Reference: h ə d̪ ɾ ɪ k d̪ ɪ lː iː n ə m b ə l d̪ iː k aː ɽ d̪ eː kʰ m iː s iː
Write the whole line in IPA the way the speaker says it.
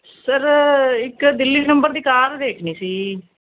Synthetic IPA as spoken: s ə ɾ ɪ k d̪ ɪ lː iː n ə m b ə ɾ d̪ iː k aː ɾ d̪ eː kʰ n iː s iː